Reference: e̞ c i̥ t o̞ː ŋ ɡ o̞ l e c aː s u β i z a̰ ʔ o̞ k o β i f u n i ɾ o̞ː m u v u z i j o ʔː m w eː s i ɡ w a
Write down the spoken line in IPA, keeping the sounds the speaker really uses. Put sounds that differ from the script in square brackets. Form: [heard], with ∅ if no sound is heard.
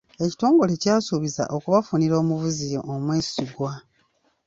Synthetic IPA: e̞ c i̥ t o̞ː ŋ ɡ o̞ l e c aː s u β i z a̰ ʔ o̞ k [u] β [a] f u n i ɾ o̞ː m u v u z i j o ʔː m w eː s i ɡ w a

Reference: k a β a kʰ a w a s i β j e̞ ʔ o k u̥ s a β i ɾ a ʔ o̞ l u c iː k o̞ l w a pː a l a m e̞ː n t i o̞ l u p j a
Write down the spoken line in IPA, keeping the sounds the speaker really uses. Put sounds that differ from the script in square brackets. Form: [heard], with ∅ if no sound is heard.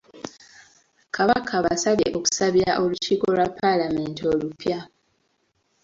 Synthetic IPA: k a β a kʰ a [β] a s [a] β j e̞ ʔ o k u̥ s a β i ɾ a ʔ o̞ l u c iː k o̞ l w a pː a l a m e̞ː n t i o̞ l u p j a

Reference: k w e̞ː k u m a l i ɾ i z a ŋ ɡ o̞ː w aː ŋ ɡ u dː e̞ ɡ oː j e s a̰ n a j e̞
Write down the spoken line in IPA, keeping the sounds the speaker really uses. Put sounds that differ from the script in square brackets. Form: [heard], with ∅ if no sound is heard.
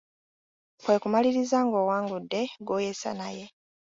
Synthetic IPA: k w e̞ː k u m a l i ɾ i z a ŋ ɡ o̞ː w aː ŋ ɡ u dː e̞ ɡ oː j e s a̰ n a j e̞

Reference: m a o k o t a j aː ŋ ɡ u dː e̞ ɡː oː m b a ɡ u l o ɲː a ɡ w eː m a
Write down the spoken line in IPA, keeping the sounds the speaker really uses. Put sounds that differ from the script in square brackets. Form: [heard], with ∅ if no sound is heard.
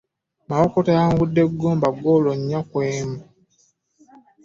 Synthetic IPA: m a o k o t a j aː ŋ ɡ u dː e̞ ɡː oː m b a ɡ [o] l o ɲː a [k] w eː m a

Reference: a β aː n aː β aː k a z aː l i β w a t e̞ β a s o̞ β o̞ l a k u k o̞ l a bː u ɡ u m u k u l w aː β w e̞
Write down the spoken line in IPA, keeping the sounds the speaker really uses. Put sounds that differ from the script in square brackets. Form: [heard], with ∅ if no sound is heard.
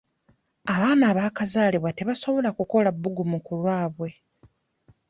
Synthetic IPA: a β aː n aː β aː k a z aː l i β w a t e̞ β a s o̞ β o̞ l a k u k o̞ l a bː u ɡ u m u k u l w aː β w e̞

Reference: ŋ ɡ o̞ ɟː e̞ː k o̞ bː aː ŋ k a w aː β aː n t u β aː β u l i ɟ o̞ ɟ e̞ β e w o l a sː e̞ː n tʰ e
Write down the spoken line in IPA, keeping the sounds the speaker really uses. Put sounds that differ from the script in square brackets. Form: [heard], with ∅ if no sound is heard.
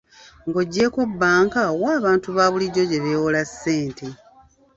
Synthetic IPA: ŋ ɡ o̞ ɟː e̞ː k o̞ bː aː ŋ k a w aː β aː n t u β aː β u l i ɟ o̞ ɟ e̞ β e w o l a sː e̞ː n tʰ e

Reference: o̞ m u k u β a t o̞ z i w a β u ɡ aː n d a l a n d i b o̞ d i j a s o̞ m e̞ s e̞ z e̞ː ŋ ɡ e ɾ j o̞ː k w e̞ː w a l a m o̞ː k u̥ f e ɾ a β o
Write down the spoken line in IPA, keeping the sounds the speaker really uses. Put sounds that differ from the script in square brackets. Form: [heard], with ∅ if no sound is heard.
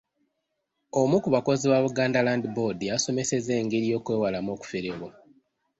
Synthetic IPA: o̞ m u k u β a [k] o̞ z i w a β u ɡ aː n d a l a n d i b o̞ d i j a s o̞ m e̞ s e̞ z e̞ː ŋ ɡ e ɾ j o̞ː k w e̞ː w a l a m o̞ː k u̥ f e ɾ [e] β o

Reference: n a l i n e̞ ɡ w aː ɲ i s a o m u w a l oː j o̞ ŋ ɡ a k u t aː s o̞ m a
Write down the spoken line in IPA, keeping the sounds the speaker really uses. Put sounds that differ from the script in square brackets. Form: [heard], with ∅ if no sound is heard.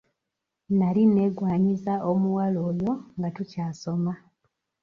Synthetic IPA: n a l i n e̞ ɡ w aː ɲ i [z] a o m u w a l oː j o̞ ŋ ɡ a [t] u [c] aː s o̞ m a

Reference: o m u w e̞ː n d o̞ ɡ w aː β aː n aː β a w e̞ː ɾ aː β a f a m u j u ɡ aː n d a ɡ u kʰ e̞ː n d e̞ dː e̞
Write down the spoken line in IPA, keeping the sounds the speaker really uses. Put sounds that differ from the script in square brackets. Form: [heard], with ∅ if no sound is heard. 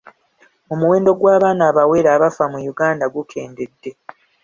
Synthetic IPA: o m u w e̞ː n d o̞ ɡ w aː β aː n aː β a w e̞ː ɾ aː β a f a m u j u ɡ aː n d a ɡ u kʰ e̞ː n d e̞ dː e̞

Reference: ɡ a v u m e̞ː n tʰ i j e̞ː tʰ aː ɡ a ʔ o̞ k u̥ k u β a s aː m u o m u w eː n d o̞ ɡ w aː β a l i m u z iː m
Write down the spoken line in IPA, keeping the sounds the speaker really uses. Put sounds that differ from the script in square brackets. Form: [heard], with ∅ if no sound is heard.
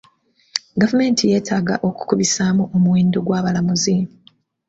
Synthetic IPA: ɡ a v u m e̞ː n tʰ i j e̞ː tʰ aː ɡ a ʔ o̞ k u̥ k u β [i] s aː m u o m u w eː n d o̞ ɡ w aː β a l [a] m u z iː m

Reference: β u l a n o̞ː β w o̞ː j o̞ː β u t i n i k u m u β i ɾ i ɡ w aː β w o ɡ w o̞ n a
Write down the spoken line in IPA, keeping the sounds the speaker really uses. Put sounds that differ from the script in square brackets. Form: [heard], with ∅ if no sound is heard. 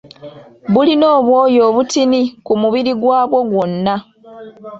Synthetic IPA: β u l [i] n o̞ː β w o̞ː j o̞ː β u t i n i k u m u β i ɾ i ɡ w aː β w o ɡ w o̞ [nː] a

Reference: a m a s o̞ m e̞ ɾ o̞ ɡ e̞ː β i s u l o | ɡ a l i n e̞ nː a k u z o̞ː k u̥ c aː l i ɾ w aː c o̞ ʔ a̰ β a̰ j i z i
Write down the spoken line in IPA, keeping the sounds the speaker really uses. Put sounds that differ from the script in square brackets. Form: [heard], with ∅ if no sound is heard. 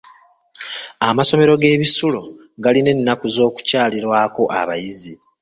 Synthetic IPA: a m a s o̞ m e̞ ɾ o̞ ɡ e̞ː β i s u l o | ɡ a l i n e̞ nː a k u z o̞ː k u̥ c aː l i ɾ w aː [k] o̞ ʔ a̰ β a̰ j i z i

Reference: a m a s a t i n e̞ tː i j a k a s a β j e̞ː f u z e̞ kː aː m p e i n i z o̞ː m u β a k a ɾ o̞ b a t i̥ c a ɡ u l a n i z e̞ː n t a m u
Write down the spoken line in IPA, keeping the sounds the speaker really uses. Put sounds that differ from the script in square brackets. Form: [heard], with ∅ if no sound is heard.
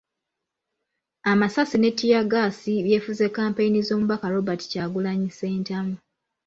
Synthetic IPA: a m a s a [s] i n e̞ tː i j a [ɡ] a s [i] β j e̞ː f u z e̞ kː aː m p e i n i z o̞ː m u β a k a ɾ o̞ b a t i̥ c a ɡ u l a [ɲ] i [s] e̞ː n t a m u

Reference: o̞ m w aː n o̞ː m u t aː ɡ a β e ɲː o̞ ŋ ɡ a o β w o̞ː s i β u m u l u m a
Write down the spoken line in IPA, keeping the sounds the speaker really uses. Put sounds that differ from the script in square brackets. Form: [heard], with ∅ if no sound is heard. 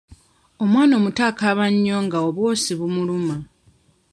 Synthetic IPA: o̞ m w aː n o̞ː m u t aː [k] a β [a] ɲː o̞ ŋ ɡ a o β w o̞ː s i β u m u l u m a

